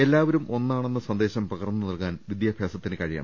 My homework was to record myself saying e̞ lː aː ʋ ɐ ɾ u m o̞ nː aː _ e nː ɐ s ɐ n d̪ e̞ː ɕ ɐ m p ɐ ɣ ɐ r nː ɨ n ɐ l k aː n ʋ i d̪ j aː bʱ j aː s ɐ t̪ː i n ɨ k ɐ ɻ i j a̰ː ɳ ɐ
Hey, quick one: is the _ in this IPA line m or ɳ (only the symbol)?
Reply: ɳ